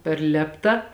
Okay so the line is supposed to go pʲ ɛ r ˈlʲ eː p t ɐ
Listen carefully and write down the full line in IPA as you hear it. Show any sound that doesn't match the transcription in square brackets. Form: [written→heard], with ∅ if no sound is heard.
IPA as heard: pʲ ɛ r ˈlʲ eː p t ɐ